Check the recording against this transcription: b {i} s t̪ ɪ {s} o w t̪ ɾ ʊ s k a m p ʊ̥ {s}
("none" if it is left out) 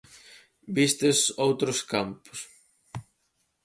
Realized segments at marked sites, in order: i, s, s

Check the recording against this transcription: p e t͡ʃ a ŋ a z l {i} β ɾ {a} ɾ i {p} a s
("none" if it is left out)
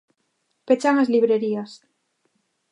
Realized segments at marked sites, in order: i, e, none

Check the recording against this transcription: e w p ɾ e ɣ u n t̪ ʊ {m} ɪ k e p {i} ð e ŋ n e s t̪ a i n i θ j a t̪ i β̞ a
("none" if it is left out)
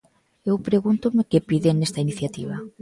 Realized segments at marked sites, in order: m, i

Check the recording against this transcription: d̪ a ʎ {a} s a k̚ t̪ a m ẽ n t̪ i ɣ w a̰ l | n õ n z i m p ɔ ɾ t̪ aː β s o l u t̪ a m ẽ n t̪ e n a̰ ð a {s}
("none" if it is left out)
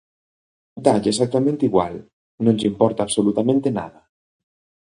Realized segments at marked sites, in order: e, none

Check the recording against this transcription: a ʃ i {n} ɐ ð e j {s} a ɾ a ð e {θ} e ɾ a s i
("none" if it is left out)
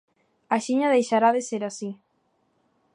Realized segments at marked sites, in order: ɲ, ʃ, s

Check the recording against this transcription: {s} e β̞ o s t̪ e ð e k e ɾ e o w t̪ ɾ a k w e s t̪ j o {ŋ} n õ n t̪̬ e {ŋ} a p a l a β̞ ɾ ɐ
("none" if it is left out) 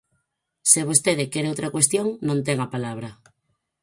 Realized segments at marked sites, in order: s, ŋ, ŋ

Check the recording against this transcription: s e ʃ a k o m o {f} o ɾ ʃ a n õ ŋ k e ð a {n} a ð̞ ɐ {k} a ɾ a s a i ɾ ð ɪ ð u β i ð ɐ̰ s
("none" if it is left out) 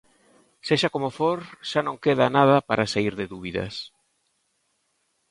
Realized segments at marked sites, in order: f, n, p

